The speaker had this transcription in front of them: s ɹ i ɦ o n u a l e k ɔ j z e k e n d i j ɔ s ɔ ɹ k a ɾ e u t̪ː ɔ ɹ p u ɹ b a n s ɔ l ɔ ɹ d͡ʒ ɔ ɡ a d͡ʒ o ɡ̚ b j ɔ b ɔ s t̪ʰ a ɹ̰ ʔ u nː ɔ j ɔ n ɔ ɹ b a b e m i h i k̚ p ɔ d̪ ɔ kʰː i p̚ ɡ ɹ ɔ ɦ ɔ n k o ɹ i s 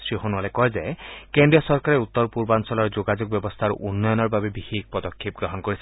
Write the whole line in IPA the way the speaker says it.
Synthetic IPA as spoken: s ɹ i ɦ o n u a l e k ɔ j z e k e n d i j ɔ s ɔ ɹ k a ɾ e u t̪ː ɔ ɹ p u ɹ b a n s ɔ l ɔ ɹ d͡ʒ o ɡ a d͡ʒ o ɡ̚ b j ɔ b ɔ s t̪ʰ a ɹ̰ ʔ u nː ɔ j ɔ n ɔ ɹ b a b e b i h i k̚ p ɔ d̪ ɔ kʰː i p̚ ɡ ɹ ɔ ɦ ɔ n k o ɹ i s